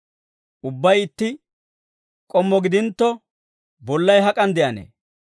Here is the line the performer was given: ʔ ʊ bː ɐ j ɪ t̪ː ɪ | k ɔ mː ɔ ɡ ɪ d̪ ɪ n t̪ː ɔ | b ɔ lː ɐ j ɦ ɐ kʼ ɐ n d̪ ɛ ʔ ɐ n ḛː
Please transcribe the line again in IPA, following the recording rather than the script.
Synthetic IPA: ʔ ʊ bː ɐ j ɪ t̪ː ɪ | kʼ ɔ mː ɔ ɡ ɪ d̪ ɪ n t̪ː ɔ | b ɔ lː ɐ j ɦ ɐ kʼ ɐ n d̪ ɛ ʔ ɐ n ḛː